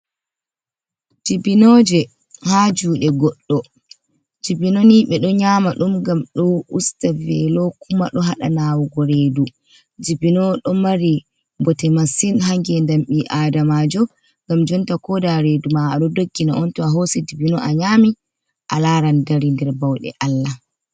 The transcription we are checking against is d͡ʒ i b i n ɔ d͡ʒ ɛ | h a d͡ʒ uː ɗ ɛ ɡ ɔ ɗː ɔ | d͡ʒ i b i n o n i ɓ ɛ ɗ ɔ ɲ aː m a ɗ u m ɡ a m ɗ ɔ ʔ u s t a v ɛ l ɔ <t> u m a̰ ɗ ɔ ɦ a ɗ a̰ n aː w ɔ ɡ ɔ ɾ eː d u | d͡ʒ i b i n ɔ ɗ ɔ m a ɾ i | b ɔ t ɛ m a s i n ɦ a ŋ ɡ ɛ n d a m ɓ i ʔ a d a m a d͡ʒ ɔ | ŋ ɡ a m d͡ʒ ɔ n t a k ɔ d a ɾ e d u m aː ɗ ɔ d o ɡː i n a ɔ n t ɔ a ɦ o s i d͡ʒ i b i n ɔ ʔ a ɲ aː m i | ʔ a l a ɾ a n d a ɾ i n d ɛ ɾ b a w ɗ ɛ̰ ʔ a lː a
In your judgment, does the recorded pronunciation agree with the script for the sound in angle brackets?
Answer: no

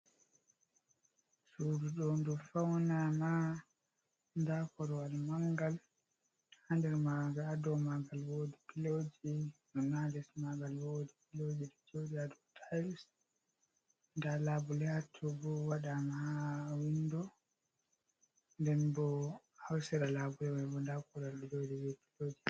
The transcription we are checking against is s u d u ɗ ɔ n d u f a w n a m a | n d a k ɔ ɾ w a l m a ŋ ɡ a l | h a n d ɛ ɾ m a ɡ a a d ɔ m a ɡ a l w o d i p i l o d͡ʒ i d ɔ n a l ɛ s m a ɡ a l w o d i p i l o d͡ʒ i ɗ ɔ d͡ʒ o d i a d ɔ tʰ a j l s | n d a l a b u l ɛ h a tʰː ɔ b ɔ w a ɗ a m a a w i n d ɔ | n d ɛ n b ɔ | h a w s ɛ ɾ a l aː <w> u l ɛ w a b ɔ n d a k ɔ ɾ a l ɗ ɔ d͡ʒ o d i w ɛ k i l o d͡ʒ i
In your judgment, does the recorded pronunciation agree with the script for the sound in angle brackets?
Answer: no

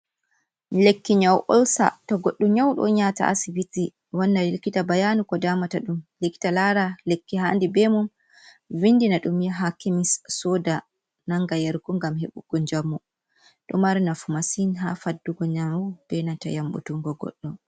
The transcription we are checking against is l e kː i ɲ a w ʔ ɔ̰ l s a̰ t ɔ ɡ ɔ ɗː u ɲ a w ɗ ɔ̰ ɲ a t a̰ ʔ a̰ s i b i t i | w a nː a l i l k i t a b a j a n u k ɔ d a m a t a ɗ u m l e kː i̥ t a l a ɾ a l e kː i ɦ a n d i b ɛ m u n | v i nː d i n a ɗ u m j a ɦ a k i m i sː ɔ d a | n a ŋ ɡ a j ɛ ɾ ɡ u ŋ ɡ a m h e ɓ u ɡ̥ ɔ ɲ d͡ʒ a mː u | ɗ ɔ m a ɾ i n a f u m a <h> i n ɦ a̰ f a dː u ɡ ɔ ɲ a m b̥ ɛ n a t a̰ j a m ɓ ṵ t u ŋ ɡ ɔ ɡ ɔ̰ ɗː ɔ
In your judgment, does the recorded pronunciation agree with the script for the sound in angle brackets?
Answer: no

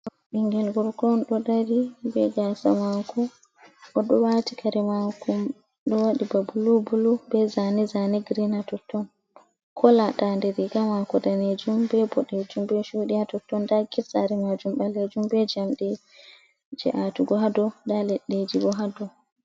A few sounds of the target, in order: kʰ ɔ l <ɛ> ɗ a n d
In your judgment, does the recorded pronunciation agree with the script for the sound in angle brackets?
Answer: no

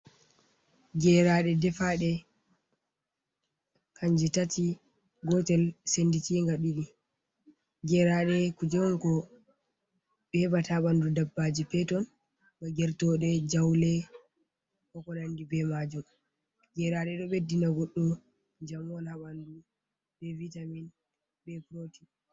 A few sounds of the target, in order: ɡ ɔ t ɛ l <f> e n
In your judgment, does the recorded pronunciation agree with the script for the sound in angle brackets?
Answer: no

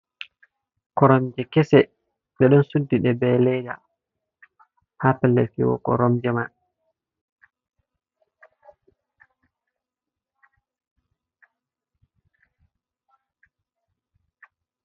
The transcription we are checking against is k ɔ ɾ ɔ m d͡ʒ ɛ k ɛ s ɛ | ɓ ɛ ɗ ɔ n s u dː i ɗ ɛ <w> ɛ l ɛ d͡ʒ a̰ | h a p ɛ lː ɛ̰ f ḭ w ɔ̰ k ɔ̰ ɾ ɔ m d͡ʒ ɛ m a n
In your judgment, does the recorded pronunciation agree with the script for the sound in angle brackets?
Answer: no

